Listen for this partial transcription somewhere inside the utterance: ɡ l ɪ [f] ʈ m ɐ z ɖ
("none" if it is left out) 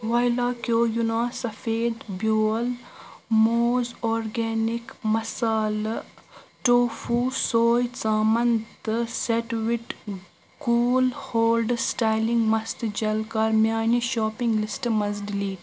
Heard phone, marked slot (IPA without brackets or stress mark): s